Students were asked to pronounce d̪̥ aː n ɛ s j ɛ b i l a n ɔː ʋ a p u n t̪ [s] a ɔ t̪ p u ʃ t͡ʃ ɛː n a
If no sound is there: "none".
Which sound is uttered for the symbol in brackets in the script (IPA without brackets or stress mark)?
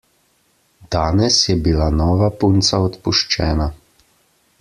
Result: s